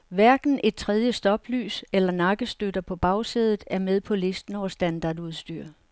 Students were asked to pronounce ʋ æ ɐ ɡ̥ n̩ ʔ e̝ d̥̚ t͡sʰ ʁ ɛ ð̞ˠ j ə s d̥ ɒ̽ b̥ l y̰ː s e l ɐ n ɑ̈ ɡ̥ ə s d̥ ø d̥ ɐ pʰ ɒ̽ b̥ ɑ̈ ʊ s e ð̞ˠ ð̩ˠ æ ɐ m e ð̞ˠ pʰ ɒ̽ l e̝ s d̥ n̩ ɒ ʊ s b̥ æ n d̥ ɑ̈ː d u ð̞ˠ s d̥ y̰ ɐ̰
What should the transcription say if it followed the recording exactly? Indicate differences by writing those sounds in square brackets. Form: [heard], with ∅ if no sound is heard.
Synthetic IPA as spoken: ʋ æ ɐ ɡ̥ n̩ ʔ e̝ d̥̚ t͡sʰ ʁ ɛ ð̞ˠ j ə s d̥ ɒ̽ b̥ l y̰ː s e l ɐ n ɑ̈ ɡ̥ ə s d̥ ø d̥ ɐ pʰ ɒ̽ b̥ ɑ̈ ʊ s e ð̞ˠ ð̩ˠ æ ɐ m e ð̞ˠ pʰ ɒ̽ l e̝ s d̥ n̩ ɒ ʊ s [d̥] æ n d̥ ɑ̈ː d u ð̞ˠ s d̥ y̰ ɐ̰